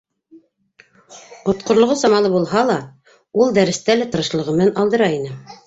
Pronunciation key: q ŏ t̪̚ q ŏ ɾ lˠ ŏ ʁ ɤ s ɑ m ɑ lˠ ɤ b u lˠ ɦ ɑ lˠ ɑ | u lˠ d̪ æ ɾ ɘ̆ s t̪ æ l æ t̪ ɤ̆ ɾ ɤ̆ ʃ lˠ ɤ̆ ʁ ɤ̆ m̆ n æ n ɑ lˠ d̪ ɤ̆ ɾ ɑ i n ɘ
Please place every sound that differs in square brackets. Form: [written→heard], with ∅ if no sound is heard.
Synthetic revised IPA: q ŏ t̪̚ q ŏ ɾ lˠ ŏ ʁ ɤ s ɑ m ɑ lˠ ɤ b u lˠ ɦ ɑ lˠ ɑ | u lˠ d̪ æ ɾ ɘ̆ s t̪ æ l æ t̪ ɤ̆ ɾ ɤ̆ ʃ lˠ ɤ̆ ʁ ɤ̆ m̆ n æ n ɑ lˠ d̪ ɤ̆ ɾ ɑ i n ɘ